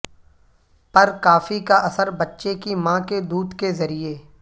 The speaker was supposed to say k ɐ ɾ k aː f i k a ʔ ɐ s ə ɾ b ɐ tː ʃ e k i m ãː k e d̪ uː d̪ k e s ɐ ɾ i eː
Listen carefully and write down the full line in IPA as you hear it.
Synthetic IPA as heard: p ɐ ɾ k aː f i k a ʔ ɐ s ə ɾ b ɐ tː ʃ e k i m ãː k e d̪ uː d̪ k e z ɐ ɾ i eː